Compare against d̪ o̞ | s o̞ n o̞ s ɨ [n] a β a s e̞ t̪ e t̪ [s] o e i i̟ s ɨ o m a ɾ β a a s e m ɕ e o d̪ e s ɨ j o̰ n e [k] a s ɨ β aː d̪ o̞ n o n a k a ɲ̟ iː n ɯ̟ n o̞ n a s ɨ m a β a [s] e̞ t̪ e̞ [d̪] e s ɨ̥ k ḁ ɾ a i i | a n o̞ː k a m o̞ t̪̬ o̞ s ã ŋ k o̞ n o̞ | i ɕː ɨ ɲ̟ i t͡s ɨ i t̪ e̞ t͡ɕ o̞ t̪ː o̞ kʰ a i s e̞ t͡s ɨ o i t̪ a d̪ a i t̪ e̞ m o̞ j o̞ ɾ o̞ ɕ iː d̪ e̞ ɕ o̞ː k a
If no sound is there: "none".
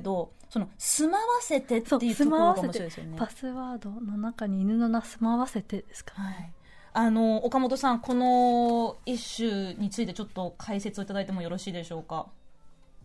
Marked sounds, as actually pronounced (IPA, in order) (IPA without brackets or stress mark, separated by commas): m, s, p, s, d̪